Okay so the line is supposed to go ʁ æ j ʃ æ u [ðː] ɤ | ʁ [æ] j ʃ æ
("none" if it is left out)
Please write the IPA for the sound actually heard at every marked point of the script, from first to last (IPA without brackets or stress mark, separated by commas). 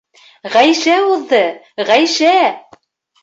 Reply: ðː, æ